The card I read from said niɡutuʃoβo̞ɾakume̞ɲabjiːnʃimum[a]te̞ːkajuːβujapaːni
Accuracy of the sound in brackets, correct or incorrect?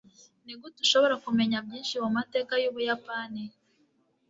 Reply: correct